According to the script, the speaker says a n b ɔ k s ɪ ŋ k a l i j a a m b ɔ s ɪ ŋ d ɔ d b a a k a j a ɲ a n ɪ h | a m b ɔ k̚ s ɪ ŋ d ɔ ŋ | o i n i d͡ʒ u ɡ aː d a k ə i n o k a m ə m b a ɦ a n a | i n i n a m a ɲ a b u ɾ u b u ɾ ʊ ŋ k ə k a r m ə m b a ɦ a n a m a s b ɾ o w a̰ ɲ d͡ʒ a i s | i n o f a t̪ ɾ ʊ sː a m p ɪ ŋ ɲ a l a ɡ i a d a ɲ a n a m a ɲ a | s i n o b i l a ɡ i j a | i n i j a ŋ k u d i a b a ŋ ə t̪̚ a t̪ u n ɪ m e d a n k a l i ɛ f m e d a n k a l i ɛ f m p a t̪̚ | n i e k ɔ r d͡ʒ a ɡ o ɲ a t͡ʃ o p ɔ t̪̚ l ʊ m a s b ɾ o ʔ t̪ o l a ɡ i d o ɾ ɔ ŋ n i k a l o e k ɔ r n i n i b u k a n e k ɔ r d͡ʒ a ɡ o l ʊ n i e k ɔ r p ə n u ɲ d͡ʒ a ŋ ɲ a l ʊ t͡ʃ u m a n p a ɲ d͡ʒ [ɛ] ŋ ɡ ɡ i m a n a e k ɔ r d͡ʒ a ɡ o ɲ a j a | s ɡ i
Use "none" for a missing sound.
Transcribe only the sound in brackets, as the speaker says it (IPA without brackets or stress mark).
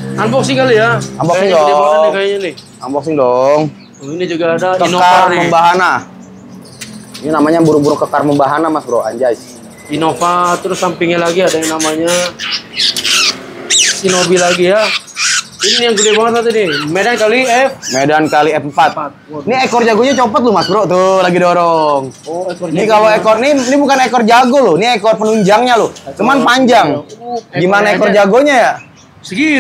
a